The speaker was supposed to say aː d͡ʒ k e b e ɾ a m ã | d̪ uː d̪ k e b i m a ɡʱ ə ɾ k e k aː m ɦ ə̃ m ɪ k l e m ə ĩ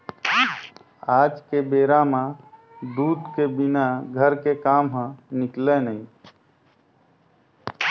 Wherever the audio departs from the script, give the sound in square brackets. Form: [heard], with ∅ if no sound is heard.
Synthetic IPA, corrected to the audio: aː d͡ʒ k e b e ɾ a m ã | d̪ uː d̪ k e b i [n] a ɡʱ ə ɾ k e k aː m ɦ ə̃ [n] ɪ k l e [n] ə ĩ